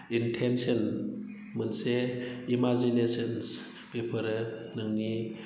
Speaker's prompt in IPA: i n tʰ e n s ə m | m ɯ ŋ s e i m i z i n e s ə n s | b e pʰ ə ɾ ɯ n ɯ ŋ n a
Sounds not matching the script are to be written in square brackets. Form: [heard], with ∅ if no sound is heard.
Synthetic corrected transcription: i n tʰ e n s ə [n] | m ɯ [n] s e i m [a] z i n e s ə n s | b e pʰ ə ɾ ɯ n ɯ ŋ n [i]